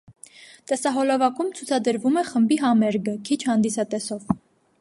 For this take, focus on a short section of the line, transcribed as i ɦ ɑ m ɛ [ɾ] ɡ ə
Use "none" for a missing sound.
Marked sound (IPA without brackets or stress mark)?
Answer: ɾ